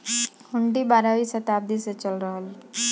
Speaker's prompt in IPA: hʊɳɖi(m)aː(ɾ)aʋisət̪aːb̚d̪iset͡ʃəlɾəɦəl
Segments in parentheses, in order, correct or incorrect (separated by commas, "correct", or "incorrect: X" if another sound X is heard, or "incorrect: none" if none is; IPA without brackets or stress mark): incorrect: b, correct